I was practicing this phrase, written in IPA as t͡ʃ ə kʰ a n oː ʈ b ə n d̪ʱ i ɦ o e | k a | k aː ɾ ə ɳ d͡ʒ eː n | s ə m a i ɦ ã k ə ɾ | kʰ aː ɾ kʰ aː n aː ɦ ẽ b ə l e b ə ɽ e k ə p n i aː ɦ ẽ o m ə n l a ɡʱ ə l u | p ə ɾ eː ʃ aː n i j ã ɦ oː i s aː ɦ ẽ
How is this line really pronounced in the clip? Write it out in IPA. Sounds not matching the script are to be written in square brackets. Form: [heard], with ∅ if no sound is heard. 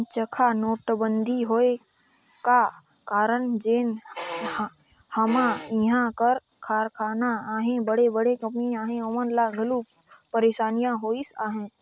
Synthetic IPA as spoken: t͡ʃ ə kʰ a n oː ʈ b ə n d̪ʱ i ɦ o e | k a | k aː ɾ ə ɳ d͡ʒ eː n | [h] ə m a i ɦ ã k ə ɾ | kʰ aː ɾ kʰ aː n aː ɦ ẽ b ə [ɽ] e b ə ɽ e k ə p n i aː ɦ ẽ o m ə n l a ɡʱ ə l u | p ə ɾ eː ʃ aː n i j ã ɦ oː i s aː ɦ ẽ

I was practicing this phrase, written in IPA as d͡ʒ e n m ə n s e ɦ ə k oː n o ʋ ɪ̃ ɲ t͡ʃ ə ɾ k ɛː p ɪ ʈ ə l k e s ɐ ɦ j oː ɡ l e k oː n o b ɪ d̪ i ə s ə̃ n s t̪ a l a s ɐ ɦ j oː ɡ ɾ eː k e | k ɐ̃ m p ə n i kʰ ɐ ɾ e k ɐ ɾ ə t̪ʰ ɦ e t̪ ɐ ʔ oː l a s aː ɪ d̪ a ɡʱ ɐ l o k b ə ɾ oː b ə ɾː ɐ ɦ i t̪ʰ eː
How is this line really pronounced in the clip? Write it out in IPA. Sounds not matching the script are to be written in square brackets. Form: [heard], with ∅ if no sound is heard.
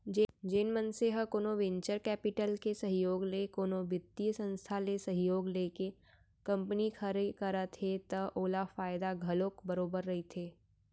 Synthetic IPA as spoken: d͡ʒ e n m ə n s e ɦ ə k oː n o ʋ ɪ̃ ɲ t͡ʃ ə ɾ k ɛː p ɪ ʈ ə l k e s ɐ ɦ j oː ɡ l e k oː n o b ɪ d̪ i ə s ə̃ n s [t̪ʰ] a l [e] s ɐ ɦ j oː ɡ [l] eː k e | k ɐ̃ m p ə n i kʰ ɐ ɾ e k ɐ ɾ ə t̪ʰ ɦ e t̪ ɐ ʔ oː l a [f] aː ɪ d̪ a ɡʱ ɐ l o k b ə ɾ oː b ə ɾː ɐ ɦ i t̪ʰ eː

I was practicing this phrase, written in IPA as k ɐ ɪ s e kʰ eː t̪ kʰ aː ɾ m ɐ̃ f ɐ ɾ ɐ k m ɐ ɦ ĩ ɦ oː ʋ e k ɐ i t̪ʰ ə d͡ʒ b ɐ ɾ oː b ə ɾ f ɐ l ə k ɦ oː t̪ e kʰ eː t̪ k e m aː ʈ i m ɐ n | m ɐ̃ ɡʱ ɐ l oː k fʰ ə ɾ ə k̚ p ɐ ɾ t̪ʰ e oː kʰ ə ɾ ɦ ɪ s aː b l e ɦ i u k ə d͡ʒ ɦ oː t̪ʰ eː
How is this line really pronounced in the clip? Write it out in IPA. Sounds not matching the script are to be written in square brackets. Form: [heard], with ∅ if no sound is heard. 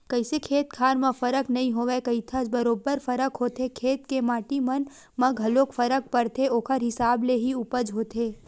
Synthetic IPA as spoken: k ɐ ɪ s e kʰ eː t̪ kʰ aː ɾ m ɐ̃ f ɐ ɾ [ə] k [n] ɐ ɦ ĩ ɦ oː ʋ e k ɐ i t̪ʰ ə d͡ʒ b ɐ ɾ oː b ə ɾ f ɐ [ɾ] ə k ɦ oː t̪ e kʰ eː t̪ k e m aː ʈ i m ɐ n | m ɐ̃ ɡʱ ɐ l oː k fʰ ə ɾ ə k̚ p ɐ ɾ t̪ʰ e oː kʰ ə ɾ ɦ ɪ s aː b l e ɦ i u [p] ə d͡ʒ ɦ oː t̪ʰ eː

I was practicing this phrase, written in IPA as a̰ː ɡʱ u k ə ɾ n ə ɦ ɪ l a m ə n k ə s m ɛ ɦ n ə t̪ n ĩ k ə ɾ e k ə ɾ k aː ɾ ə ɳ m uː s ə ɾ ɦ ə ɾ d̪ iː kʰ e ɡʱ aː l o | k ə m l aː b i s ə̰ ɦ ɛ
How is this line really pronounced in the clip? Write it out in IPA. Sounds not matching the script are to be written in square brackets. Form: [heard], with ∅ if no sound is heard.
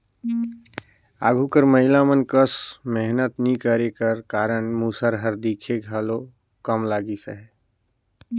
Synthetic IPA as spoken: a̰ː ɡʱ u k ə ɾ [m] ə ɦ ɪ l a m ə n k ə s m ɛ ɦ n ə t̪ n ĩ k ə ɾ e k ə ɾ k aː ɾ ə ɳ m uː s ə ɾ ɦ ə ɾ d̪ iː kʰ e ɡʱ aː l o | k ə m l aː [ɡ] i s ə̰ ɦ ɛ

